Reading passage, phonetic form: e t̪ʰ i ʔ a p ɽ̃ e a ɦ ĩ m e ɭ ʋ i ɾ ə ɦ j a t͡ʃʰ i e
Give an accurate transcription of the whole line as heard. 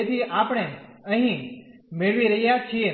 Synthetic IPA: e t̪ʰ i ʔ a p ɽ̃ e ə ɦ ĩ m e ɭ ʋ i ɾ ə ɦ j a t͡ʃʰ i e